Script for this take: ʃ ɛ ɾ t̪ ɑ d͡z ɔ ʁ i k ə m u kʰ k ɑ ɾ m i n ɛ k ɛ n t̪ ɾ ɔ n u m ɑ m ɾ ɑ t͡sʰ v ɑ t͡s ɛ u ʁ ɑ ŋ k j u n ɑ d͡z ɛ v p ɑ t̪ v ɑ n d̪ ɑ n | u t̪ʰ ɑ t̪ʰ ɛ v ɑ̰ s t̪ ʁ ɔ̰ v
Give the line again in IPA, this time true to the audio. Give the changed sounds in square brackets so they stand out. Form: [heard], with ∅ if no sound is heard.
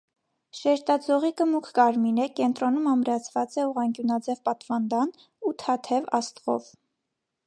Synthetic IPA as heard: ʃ ɛ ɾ t̪ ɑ d͡z ɔ ʁ i k ə m u kʰ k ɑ ɾ m i n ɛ k ɛ n t̪ ɾ ɔ n u m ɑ m ɾ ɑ t͡sʰ v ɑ t͡s ɛ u ʁ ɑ ŋ k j u n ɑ d͡z ɛ v p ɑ t̪ v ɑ n d̪ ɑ n | u t̪ʰ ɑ t̪ʰ ɛ v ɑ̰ s t̪ ʁ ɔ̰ v